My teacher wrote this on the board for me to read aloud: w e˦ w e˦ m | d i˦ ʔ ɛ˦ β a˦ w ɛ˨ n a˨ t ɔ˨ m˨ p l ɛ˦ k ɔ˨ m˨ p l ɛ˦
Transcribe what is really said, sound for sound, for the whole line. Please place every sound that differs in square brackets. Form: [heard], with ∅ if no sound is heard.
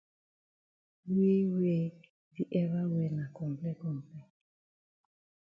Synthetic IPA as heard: w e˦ w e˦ [∅] | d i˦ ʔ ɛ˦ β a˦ w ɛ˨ n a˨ [k] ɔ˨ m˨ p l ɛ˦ k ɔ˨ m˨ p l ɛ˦